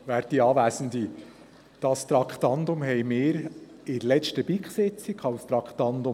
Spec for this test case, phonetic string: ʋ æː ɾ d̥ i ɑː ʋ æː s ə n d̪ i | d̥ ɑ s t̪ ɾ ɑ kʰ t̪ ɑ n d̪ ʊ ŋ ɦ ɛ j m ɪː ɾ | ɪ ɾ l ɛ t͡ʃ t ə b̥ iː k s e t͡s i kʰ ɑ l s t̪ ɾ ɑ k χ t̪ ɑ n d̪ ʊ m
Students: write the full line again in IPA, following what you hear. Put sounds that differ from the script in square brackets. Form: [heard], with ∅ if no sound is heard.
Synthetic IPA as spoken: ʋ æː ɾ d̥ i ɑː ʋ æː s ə n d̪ i | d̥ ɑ s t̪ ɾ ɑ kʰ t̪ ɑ n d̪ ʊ [m] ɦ ɛ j m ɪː ɾ | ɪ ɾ l ɛ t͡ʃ t ə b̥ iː k s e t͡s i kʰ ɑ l s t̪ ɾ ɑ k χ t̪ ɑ n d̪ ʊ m